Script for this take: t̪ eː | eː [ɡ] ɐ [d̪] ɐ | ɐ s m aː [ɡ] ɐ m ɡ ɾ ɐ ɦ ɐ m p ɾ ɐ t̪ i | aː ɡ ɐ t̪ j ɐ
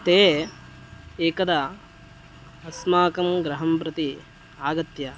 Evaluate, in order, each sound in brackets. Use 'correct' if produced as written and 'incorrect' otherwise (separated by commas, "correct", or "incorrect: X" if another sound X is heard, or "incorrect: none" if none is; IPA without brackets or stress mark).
incorrect: k, correct, incorrect: k